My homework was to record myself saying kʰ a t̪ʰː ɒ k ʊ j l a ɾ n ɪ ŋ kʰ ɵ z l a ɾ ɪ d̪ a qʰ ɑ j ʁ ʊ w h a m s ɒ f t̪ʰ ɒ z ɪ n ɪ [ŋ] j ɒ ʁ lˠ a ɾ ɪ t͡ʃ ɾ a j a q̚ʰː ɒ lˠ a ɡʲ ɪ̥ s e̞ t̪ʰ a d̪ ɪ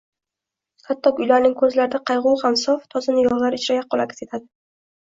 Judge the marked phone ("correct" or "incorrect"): incorrect